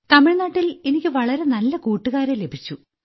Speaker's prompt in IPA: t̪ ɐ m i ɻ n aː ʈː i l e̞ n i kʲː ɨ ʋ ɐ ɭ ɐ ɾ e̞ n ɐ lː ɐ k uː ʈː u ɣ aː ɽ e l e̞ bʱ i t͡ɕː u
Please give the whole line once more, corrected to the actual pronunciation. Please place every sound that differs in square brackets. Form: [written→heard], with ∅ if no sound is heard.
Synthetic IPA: t̪ ɐ m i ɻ n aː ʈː i l e̞ n i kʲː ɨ ʋ ɐ ɭ ɐ ɾ e̞ n ɐ lː ɐ k uː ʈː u ɣ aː [ɽ→ɾ] e l e̞ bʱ i t͡ɕː u

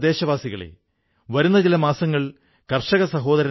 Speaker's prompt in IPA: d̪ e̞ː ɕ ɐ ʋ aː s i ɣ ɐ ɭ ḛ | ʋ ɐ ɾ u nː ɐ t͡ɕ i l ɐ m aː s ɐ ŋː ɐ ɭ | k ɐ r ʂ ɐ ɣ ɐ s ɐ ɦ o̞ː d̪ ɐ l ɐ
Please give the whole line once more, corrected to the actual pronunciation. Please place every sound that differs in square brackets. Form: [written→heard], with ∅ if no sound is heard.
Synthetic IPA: d̪ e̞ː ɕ ɐ ʋ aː s i ɣ ɐ ɭ ḛ | ʋ ɐ ɾ u nː ɐ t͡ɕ i l ɐ m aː s ɐ ŋː ɐ ɭ | k ɐ r ʂ ɐ ɣ ɐ s ɐ ɦ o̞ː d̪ ɐ [l→ɾ] ɐ

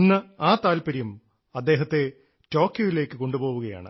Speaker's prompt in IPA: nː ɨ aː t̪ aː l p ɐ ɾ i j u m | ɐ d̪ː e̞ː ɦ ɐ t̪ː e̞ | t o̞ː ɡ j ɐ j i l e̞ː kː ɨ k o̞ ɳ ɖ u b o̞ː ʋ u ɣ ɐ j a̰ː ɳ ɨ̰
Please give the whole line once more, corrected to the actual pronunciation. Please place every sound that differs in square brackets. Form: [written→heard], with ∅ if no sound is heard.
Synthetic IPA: nː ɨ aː t̪ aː l p ɐ ɾ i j u m | ɐ d̪ː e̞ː ɦ ɐ t̪ː e̞ | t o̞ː [ɡ→k] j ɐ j i l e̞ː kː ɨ k o̞ ɳ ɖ u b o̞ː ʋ u ɣ ɐ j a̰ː ɳ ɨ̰

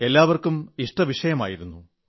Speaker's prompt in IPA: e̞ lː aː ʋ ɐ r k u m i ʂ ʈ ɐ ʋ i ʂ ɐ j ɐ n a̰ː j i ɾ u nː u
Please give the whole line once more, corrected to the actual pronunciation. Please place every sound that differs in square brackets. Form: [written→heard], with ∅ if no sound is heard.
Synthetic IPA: e̞ lː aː ʋ ɐ r k u m i ʂ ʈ ɐ ʋ i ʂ ɐ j ɐ [n→m] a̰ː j i ɾ u nː u

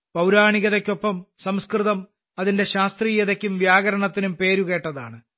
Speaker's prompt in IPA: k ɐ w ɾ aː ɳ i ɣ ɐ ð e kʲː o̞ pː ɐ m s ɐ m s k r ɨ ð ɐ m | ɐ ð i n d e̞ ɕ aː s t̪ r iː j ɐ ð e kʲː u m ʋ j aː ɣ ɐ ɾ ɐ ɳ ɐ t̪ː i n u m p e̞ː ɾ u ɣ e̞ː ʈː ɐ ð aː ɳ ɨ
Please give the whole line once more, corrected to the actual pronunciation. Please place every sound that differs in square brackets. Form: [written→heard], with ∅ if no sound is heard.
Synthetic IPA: [k→p] ɐ w ɾ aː ɳ i ɣ ɐ ð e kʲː o̞ pː ɐ m s ɐ m s k r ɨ ð ɐ m | ɐ ð i n d e̞ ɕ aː s t̪ r iː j ɐ ð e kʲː u m ʋ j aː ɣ ɐ ɾ ɐ ɳ ɐ t̪ː i n u m p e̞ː ɾ u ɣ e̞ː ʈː ɐ ð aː ɳ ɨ

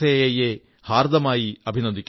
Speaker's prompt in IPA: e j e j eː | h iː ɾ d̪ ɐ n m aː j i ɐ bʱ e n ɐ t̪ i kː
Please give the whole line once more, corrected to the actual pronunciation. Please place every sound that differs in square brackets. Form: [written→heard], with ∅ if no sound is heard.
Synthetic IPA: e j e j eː | h [iː→aː] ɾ d̪ ɐ [n→∅] m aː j i ɐ bʱ [e→i] n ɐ [t̪→d̪] i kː

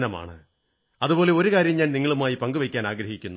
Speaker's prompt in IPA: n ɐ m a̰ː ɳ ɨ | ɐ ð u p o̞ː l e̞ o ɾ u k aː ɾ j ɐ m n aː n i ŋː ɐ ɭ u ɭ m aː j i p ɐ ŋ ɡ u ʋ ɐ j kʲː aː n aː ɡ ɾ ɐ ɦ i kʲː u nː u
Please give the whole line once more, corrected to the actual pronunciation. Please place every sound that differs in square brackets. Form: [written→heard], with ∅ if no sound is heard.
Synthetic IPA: n ɐ m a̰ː ɳ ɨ | ɐ ð u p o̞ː l e̞ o ɾ u k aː ɾ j ɐ m [n→ɲ] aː n i ŋː ɐ ɭ u [ɭ→∅] m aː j i p ɐ ŋ ɡ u ʋ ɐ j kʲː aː n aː ɡ ɾ ɐ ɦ i kʲː u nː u

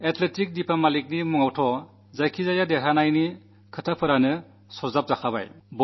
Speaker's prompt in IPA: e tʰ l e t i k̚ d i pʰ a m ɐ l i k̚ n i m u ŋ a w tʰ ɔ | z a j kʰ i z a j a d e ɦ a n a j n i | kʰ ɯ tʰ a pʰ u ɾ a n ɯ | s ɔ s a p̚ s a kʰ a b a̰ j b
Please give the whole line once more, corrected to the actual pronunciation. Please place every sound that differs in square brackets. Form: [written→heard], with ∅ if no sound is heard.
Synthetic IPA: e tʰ l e t i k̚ d i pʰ a m [ɐ→a] l i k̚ n i m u ŋ a w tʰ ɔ | z a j kʰ i z a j a d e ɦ a n a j n i | kʰ ɯ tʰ a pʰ [u→ɯ] ɾ a n ɯ | s ɔ [s→z] a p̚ [s→z] a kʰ a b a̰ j b

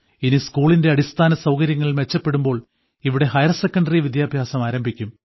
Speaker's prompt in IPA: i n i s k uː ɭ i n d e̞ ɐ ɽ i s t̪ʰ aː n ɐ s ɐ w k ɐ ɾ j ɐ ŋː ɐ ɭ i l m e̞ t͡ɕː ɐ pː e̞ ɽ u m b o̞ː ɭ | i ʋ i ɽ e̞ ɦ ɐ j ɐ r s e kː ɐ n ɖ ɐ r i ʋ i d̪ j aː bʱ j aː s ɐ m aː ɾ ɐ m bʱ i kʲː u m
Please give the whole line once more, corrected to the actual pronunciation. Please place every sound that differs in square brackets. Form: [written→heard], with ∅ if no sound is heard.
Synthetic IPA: i n i s k uː ɭ i n d e̞ ɐ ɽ i s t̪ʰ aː n ɐ s ɐ w k ɐ ɾ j ɐ ŋː ɐ ɭ i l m e̞ t͡ɕː ɐ pː e̞ ɽ u m b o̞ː ɭ | i ʋ i ɽ e̞ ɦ ɐ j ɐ r s e kː ɐ [n→ɳ] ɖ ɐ r i ʋ i d̪ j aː bʱ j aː s ɐ m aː ɾ ɐ m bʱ i kʲː u m

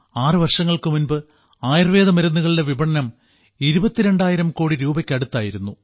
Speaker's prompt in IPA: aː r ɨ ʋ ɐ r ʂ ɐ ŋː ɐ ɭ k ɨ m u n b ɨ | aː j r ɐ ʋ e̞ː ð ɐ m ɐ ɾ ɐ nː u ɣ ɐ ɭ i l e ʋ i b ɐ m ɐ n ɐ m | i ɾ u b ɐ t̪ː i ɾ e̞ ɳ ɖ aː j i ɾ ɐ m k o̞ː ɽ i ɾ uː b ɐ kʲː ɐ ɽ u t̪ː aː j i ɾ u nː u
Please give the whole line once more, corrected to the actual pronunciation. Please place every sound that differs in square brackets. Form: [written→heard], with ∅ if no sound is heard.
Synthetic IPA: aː r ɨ ʋ ɐ r ʂ ɐ ŋː ɐ ɭ k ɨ m u n b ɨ | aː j r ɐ ʋ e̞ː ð ɐ m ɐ ɾ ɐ nː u ɣ ɐ ɭ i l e ʋ i b ɐ [m→ɳ] ɐ n ɐ m | i ɾ u b ɐ t̪ː i ɾ e̞ ɳ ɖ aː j i ɾ ɐ m k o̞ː ɽ i ɾ uː b ɐ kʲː ɐ ɽ u t̪ː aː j i ɾ u nː u

